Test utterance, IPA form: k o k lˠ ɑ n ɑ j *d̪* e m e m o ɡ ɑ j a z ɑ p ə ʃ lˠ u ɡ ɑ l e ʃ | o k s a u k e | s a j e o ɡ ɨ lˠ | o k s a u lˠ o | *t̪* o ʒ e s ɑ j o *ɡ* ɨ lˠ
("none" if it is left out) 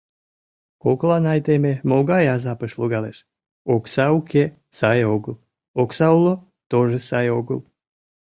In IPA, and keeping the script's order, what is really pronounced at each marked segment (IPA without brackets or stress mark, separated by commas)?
t̪, t̪, ɡ